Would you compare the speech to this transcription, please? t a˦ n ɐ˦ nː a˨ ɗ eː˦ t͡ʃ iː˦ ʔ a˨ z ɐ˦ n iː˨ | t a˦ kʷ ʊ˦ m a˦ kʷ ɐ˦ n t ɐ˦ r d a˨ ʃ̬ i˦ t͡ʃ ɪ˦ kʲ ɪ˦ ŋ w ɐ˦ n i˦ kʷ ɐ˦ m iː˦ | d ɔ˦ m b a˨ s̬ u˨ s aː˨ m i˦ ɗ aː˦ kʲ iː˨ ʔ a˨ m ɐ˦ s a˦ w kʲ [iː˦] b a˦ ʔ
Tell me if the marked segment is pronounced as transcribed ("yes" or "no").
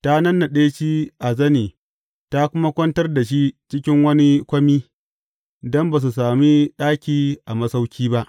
yes